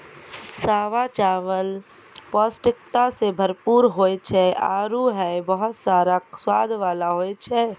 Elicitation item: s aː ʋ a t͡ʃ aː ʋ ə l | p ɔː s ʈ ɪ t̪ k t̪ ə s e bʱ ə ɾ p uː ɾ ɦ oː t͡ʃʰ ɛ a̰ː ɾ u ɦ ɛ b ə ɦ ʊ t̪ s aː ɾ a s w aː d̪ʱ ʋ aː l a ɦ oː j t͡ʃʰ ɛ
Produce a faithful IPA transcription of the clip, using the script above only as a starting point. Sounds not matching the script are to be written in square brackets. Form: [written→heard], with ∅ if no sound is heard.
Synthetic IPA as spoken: s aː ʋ a t͡ʃ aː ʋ ə l | p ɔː s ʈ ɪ [t̪→∅] k t̪ [ə→a] s e bʱ ə ɾ p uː ɾ ɦ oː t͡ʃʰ ɛ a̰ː ɾ u ɦ ɛ b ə ɦ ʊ t̪ s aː ɾ a s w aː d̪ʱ ʋ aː l a ɦ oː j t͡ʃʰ ɛ

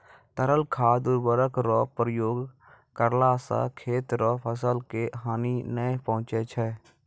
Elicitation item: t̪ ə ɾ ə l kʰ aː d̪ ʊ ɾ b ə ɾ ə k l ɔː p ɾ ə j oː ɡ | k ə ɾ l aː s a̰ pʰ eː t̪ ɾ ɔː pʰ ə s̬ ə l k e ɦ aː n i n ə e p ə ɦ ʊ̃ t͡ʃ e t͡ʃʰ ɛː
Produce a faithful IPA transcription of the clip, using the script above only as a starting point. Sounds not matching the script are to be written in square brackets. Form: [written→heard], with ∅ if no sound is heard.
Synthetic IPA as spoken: t̪ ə ɾ ə l kʰ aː d̪ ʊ ɾ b ə ɾ ə k [l→ɾ] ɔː p ɾ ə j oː ɡ | k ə ɾ l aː s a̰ [pʰ→kʰ] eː t̪ ɾ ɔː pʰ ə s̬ ə l k e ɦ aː n i n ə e p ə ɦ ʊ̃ t͡ʃ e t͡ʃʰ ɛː

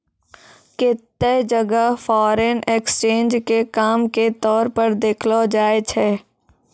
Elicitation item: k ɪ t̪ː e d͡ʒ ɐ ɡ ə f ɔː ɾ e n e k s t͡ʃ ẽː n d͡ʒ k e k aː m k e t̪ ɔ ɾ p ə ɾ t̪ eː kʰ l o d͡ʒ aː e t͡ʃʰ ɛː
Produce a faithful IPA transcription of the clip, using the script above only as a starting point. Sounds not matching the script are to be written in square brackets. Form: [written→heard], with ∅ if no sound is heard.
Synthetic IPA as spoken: k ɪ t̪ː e d͡ʒ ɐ ɡ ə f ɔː ɾ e n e k s t͡ʃ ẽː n d͡ʒ k e k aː m k e t̪ [ɔ→ɔː] ɾ p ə ɾ [t̪→d̪] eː kʰ l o d͡ʒ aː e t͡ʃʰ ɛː

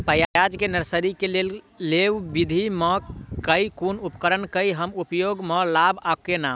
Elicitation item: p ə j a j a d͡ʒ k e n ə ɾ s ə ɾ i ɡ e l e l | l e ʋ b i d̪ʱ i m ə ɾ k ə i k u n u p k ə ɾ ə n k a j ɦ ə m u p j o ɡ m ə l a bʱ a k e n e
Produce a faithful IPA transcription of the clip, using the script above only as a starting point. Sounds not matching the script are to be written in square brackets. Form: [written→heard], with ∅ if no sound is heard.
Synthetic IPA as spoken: p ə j a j a d͡ʒ k e n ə ɾ s ə ɾ i [ɡ→k] e l e l | l e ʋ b i d̪ʱ i m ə [ɾ→∅] k ə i k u n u p k ə ɾ ə n k [a→ə] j ɦ ə m u p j o ɡ m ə l a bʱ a k e n [e→a]

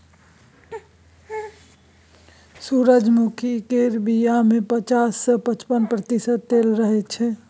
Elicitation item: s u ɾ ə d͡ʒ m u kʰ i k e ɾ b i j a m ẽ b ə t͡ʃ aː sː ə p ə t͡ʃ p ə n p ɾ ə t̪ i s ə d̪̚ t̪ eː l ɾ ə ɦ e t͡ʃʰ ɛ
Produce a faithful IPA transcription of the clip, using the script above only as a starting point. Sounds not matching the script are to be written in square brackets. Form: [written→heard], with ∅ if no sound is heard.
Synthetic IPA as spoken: s u ɾ ə d͡ʒ m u kʰ i k e ɾ b i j a m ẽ [b→p] ə t͡ʃ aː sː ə p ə t͡ʃ p ə n p ɾ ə t̪ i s ə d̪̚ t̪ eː l ɾ ə ɦ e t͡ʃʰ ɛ

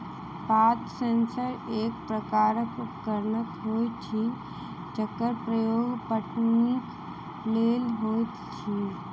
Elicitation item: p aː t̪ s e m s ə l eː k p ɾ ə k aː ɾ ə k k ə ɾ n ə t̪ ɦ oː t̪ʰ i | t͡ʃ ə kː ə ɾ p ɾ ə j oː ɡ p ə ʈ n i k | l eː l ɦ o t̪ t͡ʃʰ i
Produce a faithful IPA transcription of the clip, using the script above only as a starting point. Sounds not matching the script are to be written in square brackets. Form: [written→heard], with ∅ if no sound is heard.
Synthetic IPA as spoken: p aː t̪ s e [m→n] s ə [l→ɾ] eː k p ɾ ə k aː ɾ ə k k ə ɾ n ə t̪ ɦ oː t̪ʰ i | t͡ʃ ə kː ə ɾ p ɾ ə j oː ɡ p ə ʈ n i k | l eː l ɦ o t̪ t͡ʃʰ i

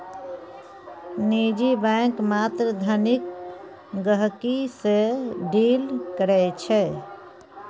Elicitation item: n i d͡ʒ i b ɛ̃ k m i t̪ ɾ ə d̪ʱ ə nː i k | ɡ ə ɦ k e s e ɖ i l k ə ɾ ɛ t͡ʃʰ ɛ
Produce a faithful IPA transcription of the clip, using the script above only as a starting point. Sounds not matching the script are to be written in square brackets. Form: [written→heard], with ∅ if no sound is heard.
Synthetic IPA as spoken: n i d͡ʒ i b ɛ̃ k m [i→a] t̪ ɾ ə d̪ʱ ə [nː→n] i k | ɡ ə ɦ k [e→i] s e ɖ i l k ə ɾ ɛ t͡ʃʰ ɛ

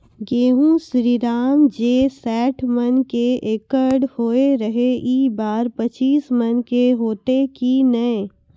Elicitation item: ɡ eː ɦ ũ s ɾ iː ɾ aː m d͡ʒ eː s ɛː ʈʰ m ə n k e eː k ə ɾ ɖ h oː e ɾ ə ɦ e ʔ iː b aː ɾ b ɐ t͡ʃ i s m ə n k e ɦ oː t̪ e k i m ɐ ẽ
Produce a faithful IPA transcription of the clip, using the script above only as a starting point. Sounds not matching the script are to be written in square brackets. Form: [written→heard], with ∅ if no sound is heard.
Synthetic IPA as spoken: ɡ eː ɦ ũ s ɾ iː ɾ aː m d͡ʒ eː s ɛː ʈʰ m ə n k e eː k ə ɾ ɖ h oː e ɾ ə ɦ e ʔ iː b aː ɾ [b→p] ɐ t͡ʃ [i→iː] s m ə n k e ɦ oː t̪ e k i [m→n] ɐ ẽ

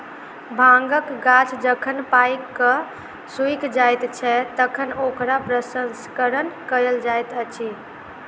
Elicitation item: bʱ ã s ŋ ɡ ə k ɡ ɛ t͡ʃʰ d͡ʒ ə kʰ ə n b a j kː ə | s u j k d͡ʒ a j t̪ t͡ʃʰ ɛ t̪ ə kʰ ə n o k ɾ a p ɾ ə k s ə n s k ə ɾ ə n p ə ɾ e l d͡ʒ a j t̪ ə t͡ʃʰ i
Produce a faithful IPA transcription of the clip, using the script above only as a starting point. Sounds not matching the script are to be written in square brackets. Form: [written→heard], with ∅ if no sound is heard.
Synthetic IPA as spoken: bʱ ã [s→∅] ŋ ɡ ə k ɡ [ɛ→a] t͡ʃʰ d͡ʒ ə kʰ ə n [b→p] a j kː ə | s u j k d͡ʒ a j t̪ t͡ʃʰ ɛ t̪ ə kʰ ə n o k ɾ a p ɾ ə [k→∅] s ə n s k ə ɾ ə n [p→k] ə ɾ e l d͡ʒ a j t̪ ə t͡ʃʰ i

